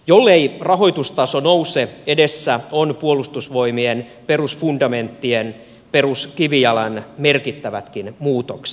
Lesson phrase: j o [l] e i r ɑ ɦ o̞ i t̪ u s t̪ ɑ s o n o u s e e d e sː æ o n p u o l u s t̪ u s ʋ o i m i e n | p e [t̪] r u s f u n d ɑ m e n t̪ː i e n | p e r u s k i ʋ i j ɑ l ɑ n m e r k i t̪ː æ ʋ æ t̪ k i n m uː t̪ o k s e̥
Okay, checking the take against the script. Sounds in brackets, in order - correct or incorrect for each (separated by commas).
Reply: incorrect, incorrect